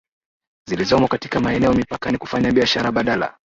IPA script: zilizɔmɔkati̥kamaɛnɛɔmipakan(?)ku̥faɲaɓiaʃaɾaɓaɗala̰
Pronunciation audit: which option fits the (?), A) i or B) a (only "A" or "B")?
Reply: A